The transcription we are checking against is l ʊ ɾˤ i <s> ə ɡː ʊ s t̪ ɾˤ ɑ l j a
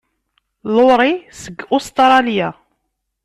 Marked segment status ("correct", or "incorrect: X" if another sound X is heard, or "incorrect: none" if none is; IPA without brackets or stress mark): correct